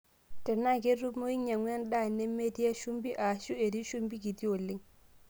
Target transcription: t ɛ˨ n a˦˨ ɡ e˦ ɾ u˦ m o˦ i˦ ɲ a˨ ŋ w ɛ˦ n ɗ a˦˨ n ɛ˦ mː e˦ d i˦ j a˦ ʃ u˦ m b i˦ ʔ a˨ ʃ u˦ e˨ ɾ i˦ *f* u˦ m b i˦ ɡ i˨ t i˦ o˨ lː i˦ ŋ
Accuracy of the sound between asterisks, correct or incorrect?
incorrect